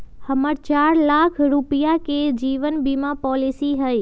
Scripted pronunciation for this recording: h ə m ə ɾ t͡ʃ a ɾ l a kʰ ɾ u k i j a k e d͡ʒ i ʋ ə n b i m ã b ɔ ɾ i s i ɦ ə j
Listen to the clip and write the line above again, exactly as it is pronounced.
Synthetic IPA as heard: h ə m ə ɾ t͡ʃ a ɾ l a kʰ ɾ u p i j a k e d͡ʒ i ʋ ə n b i m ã p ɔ l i s i ɦ ə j